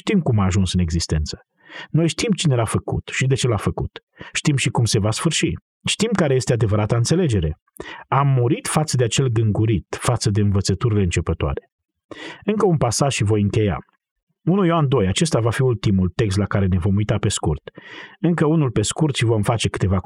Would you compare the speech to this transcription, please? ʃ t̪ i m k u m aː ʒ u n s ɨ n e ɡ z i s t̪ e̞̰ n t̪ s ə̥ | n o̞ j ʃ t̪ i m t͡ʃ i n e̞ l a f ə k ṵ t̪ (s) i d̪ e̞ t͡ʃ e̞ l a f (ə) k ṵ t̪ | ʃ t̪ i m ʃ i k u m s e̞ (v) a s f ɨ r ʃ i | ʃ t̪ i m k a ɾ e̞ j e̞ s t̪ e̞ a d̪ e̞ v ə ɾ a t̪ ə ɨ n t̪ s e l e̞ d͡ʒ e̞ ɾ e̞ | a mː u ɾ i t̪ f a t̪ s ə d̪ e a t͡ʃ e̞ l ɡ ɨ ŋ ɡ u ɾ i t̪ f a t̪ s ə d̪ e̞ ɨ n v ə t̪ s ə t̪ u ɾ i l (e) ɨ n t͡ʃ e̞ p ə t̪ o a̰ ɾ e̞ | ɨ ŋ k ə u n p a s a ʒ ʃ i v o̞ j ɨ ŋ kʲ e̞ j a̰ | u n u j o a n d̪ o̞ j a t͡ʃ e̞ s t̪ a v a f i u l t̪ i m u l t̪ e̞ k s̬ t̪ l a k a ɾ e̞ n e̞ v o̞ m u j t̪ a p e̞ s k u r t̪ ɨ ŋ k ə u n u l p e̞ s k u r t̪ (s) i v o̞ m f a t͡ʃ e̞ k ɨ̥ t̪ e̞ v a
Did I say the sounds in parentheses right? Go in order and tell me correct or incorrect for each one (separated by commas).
incorrect, correct, correct, correct, incorrect